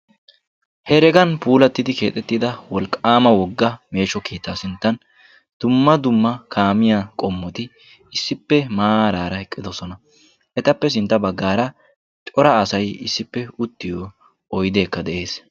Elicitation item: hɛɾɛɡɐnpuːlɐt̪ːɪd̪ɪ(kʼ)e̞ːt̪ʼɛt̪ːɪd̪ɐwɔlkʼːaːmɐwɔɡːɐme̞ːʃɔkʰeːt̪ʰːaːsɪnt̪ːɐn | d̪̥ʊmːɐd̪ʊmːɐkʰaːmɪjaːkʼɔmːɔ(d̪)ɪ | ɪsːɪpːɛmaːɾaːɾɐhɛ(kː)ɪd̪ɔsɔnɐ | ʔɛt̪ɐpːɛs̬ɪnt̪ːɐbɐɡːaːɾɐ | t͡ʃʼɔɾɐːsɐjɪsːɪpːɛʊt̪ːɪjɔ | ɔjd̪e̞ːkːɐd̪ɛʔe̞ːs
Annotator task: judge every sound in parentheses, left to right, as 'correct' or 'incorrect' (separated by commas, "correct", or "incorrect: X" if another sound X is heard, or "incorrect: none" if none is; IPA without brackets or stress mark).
incorrect: k, incorrect: t̪, incorrect: kʼː